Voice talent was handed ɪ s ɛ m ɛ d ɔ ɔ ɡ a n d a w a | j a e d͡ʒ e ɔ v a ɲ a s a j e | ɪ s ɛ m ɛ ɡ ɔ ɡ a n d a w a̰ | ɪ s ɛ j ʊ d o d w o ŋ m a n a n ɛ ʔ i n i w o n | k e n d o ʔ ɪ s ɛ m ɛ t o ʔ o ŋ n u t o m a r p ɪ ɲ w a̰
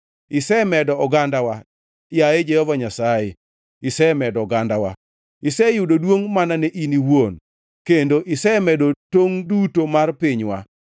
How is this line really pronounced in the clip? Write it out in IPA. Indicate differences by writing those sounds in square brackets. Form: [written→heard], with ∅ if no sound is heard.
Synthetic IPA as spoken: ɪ s ɛ m ɛ d ɔ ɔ ɡ a n d a w a | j a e d͡ʒ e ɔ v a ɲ a s a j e | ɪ s ɛ m ɛ [ɡ→d] ɔ ɡ a n d a w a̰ | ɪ s ɛ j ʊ d o d w o ŋ m a n a n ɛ ʔ i n i w o n | k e n d o ʔ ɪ s ɛ m ɛ [t→d] o [ʔ→t] o ŋ [n→d] u t o m a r p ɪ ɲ w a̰